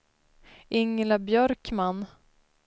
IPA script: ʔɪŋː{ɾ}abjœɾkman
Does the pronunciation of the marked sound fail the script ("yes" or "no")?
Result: yes